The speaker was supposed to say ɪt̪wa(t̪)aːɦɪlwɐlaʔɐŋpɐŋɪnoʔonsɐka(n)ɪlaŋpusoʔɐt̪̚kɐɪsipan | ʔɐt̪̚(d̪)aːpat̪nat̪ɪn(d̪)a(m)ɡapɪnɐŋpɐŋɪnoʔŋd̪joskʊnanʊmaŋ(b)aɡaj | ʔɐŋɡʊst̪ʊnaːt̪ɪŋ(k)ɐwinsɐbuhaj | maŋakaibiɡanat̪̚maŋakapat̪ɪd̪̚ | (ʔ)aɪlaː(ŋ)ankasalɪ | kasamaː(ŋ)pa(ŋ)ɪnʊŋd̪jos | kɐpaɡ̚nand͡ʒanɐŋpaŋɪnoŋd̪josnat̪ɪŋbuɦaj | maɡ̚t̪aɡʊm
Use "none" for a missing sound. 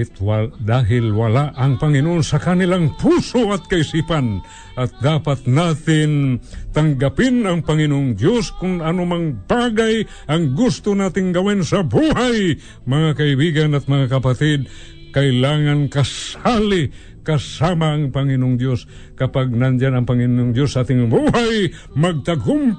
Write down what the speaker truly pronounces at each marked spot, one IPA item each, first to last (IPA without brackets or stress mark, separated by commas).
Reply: d̪, n, d̪, t̪, ŋ, b, ɡ, k, ŋ, ŋ, ŋ